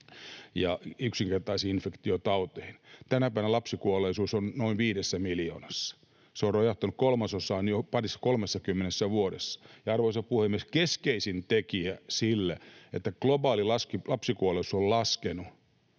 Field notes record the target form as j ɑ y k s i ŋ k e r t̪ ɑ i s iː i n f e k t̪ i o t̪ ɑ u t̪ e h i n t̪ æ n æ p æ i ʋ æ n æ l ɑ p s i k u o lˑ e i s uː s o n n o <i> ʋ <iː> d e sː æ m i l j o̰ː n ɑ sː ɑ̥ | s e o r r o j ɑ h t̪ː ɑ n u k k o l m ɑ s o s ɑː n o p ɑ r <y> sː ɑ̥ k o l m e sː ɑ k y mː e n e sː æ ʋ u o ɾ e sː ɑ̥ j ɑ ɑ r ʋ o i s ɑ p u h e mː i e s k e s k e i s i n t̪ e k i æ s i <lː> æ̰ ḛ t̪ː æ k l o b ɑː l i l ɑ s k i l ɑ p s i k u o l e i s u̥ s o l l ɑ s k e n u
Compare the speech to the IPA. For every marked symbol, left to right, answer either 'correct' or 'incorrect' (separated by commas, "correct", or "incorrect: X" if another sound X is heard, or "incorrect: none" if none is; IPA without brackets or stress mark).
correct, correct, incorrect: i, correct